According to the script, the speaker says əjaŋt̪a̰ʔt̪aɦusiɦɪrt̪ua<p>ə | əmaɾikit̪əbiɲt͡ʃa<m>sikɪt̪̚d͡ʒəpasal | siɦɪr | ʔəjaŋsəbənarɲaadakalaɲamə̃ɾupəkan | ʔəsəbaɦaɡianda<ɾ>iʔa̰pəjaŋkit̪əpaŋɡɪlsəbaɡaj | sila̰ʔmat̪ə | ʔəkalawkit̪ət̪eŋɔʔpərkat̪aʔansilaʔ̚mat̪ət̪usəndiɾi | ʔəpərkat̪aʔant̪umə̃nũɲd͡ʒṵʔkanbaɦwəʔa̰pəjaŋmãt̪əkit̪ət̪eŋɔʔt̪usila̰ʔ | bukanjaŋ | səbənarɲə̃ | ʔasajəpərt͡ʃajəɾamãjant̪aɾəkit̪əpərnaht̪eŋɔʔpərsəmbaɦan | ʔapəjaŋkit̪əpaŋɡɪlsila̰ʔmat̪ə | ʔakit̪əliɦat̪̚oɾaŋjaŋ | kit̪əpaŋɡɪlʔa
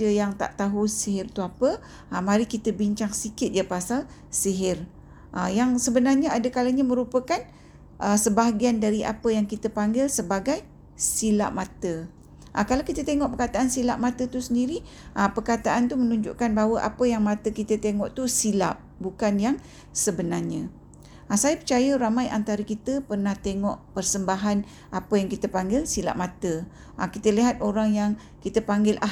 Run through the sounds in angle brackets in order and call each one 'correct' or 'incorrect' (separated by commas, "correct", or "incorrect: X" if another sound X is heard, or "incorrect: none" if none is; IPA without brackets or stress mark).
correct, incorrect: ŋ, correct